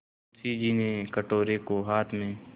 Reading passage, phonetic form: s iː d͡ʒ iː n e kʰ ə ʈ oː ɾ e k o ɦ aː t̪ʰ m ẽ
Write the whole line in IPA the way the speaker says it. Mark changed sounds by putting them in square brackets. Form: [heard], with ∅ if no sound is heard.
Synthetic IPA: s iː d͡ʒ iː n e [k] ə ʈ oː ɾ e k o ɦ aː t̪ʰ m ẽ

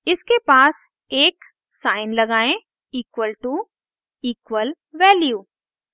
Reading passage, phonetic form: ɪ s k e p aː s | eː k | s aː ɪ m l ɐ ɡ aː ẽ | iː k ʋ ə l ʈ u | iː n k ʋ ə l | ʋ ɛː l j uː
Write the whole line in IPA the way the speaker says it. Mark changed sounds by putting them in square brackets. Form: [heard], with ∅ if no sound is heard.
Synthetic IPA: ɪ s k e p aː s | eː k | s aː ɪ [n] l ɐ ɡ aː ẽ | iː k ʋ ə l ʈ u | iː [∅] k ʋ ə l | ʋ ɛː l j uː

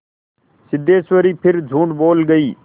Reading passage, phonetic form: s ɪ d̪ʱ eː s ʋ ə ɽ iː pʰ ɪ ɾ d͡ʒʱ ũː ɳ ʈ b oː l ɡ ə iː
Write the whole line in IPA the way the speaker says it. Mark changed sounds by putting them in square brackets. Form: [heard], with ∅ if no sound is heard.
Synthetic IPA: s ɪ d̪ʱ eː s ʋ ə [ɾ] iː pʰ ɪ ɾ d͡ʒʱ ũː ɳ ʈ b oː l ɡ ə iː

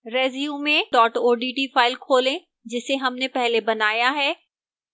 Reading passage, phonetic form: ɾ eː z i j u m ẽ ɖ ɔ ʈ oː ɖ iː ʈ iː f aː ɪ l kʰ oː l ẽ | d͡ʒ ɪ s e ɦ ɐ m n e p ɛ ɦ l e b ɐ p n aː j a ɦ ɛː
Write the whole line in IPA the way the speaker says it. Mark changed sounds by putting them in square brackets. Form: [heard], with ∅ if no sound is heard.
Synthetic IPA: ɾ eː z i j u m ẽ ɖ [ɔː] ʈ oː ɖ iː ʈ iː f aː ɪ l kʰ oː l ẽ | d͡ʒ ɪ s e ɦ ɐ m n e p ɛ ɦ l e b ɐ [∅] n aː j a ɦ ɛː

